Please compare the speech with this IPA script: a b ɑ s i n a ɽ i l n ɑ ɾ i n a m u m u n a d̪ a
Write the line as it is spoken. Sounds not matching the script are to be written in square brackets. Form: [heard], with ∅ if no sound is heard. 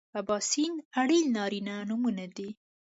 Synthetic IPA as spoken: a b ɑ s i n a ɽ i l n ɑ ɾ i n a [n] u m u n a d̪ [i]